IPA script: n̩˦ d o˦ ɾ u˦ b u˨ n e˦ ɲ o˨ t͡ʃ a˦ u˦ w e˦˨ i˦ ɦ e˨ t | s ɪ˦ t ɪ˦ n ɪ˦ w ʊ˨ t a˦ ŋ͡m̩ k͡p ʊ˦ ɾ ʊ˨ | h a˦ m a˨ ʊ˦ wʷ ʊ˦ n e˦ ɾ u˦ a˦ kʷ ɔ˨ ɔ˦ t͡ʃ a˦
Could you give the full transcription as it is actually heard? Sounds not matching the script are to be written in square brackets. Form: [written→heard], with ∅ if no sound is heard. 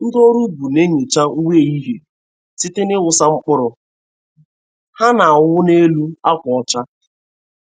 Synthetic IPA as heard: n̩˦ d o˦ ɾ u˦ b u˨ n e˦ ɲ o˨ t͡ʃ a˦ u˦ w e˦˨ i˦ ɦ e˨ [t→∅] | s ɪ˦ t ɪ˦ n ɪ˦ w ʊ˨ [t→s] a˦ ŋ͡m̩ k͡p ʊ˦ ɾ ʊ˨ | h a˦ [m→n] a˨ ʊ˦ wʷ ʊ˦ n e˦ [ɾ→l] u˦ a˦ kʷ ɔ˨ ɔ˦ t͡ʃ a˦

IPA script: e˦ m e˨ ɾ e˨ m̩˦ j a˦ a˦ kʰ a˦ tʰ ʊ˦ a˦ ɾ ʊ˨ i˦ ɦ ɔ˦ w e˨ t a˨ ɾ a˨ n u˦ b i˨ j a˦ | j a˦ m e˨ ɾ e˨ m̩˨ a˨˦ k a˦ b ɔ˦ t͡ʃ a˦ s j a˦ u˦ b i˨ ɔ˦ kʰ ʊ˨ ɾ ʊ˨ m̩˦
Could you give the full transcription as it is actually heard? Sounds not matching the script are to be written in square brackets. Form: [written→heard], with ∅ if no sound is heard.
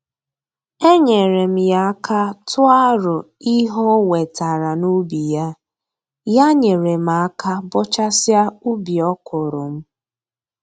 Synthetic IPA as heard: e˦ [m→ɲ] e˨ ɾ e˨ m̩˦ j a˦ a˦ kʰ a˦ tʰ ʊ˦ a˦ ɾ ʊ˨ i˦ ɦ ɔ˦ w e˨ t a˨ ɾ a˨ n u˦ b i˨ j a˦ | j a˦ [m→ɲ] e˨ ɾ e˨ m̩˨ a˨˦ k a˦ b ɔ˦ t͡ʃ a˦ s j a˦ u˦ b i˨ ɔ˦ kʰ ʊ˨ ɾ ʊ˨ m̩˦

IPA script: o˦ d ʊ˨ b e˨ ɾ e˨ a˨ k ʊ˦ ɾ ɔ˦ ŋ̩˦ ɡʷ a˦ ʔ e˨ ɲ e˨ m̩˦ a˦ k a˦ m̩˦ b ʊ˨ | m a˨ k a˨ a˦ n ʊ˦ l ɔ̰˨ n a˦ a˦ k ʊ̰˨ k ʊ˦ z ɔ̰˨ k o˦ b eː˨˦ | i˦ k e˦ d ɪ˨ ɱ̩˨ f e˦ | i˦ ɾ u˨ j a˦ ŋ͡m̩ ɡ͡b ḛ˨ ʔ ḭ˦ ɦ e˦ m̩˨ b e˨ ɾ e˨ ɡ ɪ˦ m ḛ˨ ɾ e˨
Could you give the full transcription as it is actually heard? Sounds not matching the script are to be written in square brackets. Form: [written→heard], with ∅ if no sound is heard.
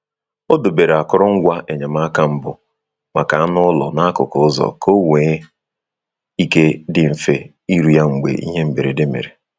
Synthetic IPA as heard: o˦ d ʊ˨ b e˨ ɾ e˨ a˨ k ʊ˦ ɾ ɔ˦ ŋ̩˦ ɡʷ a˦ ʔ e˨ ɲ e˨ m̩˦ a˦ k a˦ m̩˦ b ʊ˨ | m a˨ k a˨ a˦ n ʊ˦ l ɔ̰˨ n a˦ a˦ k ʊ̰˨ k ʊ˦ z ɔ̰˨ k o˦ [b→w] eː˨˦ | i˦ k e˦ d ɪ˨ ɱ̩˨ f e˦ | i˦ ɾ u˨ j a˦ ŋ͡m̩ ɡ͡b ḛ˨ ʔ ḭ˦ ɦ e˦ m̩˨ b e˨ ɾ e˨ [ɡ→d] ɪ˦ m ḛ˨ ɾ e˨

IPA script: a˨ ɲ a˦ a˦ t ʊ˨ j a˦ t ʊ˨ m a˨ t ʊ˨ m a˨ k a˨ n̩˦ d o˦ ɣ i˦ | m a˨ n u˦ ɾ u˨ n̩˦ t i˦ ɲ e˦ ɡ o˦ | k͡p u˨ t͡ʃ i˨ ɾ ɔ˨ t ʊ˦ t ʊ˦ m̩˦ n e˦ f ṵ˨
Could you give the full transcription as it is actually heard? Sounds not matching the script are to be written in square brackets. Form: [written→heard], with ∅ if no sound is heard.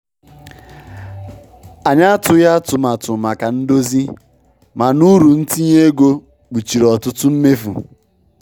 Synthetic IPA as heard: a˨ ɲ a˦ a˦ t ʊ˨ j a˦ t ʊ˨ m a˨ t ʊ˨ m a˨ k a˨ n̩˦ d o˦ [ɣ→z] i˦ | m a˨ n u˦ ɾ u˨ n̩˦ t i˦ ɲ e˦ ɡ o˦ | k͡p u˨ t͡ʃ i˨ ɾ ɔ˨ t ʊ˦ t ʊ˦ m̩˦ [n→m] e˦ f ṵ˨

